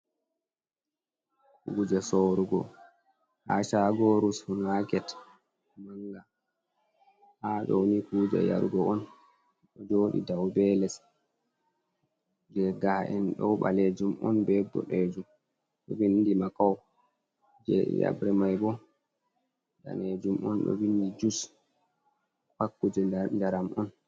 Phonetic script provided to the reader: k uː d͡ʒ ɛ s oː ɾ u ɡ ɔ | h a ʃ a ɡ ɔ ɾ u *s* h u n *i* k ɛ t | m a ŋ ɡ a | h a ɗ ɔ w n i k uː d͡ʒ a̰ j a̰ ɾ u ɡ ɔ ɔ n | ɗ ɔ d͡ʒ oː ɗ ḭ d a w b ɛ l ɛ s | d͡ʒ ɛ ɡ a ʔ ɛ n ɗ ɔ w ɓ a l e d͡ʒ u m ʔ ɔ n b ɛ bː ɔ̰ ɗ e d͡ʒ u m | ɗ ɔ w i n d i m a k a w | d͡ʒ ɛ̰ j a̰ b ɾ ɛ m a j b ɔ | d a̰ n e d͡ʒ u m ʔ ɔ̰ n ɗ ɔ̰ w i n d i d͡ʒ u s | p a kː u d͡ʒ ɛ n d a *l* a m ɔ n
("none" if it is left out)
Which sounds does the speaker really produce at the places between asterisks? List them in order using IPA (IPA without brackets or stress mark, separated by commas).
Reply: s, a, ɾ